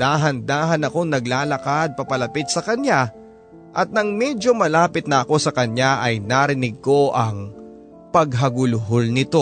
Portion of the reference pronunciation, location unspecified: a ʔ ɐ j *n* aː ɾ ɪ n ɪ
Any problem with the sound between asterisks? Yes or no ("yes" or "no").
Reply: no